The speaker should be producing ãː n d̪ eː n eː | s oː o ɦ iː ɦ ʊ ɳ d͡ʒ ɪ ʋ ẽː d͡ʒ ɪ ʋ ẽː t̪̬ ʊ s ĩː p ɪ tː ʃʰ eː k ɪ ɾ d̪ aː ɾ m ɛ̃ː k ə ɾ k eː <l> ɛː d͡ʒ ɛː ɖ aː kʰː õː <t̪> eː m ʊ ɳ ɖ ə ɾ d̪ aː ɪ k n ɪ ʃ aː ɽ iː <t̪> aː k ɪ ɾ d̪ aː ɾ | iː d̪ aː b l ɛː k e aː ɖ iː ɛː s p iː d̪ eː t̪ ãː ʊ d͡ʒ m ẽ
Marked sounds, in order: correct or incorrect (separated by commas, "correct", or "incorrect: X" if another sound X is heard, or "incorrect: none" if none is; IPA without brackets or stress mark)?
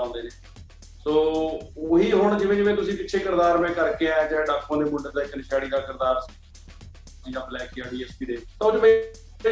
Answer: incorrect: none, incorrect: d̪, incorrect: d̪